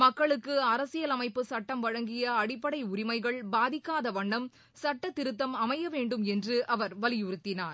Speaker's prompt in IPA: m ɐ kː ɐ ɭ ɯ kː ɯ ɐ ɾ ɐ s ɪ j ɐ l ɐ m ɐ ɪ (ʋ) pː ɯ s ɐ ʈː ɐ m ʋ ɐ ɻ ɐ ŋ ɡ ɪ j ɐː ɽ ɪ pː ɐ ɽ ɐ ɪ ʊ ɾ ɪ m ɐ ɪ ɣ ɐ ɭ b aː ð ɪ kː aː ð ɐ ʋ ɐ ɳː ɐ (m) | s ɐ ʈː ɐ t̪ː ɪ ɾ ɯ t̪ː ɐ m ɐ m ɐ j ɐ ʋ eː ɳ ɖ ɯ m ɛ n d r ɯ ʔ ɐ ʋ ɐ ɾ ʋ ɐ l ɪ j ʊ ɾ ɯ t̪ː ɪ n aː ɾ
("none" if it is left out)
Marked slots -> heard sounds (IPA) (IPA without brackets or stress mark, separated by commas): none, m